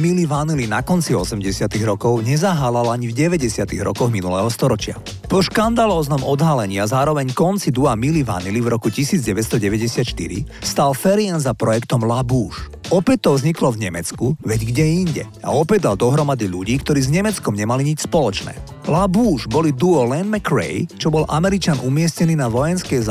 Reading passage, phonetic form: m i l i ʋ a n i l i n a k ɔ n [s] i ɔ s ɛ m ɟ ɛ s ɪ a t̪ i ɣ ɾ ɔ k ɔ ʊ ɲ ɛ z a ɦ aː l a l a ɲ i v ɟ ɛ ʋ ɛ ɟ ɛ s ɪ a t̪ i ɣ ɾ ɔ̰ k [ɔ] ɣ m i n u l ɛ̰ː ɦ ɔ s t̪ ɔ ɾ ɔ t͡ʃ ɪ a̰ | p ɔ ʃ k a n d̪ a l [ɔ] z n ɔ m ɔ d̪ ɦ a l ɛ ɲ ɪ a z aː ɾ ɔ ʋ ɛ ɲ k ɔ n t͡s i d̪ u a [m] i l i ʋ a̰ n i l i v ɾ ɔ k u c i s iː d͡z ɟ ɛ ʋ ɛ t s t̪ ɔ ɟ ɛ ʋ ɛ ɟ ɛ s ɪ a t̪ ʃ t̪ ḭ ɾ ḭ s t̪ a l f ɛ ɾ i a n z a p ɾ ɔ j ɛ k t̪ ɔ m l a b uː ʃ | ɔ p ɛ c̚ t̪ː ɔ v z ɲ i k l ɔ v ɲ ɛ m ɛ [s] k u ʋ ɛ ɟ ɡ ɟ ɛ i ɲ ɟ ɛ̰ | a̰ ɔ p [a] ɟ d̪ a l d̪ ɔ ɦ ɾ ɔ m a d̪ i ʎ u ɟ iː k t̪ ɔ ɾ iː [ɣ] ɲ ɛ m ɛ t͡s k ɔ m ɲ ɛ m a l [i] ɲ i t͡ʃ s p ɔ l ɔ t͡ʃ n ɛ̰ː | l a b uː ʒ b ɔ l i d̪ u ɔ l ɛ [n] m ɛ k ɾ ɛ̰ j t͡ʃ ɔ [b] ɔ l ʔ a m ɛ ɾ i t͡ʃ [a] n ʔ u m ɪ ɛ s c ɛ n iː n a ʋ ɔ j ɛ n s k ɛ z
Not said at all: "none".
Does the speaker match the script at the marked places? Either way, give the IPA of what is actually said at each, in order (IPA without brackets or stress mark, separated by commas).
t͡s, ɔ, ɔː, m, t͡s, ɛ, z, i, n, b, a